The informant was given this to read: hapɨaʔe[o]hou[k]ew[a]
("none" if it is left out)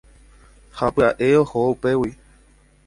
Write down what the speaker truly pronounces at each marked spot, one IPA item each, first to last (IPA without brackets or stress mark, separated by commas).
o, p, i